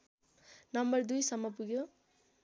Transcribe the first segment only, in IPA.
n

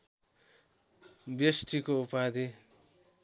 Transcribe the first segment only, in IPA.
b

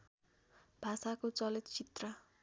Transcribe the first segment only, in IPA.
bʱ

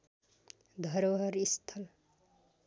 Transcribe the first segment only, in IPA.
d̪ʱ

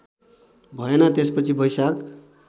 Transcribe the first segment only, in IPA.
bʱ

